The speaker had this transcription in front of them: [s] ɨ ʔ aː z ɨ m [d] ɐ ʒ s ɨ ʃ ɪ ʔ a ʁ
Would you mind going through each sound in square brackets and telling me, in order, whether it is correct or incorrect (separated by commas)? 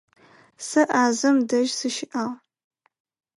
correct, correct